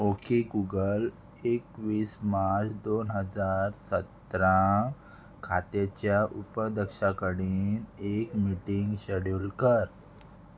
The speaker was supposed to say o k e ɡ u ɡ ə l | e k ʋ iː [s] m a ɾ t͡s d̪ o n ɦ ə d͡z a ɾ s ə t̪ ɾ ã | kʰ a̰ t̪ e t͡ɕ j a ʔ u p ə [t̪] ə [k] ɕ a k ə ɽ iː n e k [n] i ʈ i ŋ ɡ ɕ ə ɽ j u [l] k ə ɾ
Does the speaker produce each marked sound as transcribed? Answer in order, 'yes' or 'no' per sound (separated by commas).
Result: yes, no, yes, no, yes